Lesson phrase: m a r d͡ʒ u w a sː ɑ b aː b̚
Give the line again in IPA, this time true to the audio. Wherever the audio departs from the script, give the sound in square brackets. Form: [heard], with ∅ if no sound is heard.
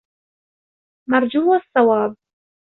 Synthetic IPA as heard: m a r d͡ʒ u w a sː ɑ [w] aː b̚